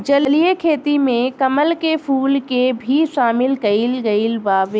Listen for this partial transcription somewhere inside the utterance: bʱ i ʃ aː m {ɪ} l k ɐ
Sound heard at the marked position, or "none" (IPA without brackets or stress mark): ɪ